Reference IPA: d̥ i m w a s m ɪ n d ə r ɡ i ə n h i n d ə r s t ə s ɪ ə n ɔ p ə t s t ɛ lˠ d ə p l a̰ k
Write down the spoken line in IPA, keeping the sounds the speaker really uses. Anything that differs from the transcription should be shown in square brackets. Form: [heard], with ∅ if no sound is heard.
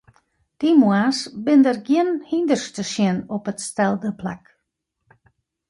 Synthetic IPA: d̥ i m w a s [b] ɪ n d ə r ɡ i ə n h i n d ə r s t ə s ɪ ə n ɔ p ə t s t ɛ lˠ d ə p l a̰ k